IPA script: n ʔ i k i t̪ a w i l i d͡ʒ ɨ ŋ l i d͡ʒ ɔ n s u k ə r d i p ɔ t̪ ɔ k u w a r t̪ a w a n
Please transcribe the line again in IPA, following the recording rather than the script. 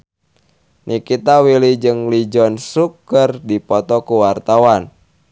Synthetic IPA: n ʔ i k i t̪ a w i l i d͡ʒ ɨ ŋ l i d͡ʒ ɔ n s u k ə r d i p ɔ t̪ ɔ k u w a r t̪ a w a n